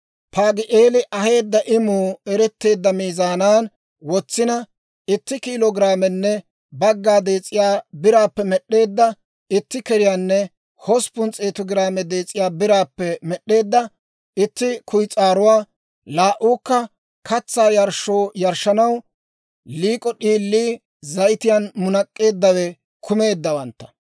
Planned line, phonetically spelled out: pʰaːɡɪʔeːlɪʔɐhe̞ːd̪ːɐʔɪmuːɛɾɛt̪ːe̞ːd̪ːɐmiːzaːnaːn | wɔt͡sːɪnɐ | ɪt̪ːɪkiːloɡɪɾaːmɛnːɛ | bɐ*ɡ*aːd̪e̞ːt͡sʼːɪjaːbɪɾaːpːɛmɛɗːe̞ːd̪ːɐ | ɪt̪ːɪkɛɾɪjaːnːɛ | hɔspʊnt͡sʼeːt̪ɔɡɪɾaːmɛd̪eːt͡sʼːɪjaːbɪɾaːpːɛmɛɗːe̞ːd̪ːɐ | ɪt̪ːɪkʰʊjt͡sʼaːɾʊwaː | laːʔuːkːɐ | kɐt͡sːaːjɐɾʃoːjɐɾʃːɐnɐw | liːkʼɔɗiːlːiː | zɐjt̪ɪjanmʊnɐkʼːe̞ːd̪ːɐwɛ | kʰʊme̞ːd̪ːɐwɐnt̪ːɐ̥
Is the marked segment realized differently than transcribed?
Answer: yes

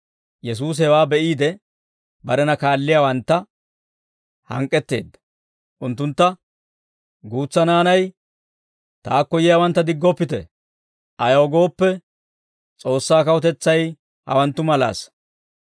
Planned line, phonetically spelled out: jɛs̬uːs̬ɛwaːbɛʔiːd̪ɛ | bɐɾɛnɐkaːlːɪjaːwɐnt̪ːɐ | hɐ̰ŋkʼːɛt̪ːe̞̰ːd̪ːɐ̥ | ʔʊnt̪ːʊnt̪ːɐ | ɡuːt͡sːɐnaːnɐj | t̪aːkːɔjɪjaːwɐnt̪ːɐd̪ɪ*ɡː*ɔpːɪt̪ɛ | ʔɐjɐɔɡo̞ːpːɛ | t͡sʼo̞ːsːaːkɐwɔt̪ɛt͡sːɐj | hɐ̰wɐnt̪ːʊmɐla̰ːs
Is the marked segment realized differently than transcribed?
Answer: no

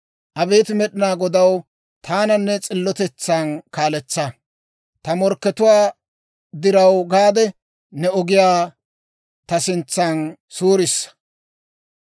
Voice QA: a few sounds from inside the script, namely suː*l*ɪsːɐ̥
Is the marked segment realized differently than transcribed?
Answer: yes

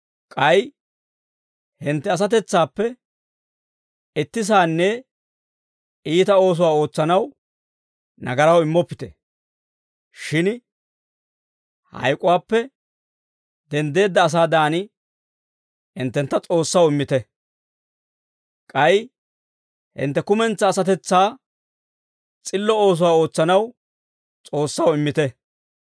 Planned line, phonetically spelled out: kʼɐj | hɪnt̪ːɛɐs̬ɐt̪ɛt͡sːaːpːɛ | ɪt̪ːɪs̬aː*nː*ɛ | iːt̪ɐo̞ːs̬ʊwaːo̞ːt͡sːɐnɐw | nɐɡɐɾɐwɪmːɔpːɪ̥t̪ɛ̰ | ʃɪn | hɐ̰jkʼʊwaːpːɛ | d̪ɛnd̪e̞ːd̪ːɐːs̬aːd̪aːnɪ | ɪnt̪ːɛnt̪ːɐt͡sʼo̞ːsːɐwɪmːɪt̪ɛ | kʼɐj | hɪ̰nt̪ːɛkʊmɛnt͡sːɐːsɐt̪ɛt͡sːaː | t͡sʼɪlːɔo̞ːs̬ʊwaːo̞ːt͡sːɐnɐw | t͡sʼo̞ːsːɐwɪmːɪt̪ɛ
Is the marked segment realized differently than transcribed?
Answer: no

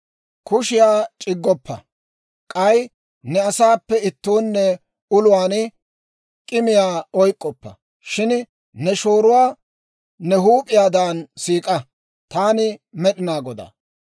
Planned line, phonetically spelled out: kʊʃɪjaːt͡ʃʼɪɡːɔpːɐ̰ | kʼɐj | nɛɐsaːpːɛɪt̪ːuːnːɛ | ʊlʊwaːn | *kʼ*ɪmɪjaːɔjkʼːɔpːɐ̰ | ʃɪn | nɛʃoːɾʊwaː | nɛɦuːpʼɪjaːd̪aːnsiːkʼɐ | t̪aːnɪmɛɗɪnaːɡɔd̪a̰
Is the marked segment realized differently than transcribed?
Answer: no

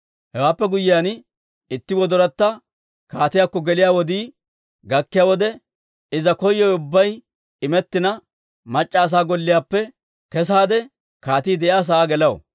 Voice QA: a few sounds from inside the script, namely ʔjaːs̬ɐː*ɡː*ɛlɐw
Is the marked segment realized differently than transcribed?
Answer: yes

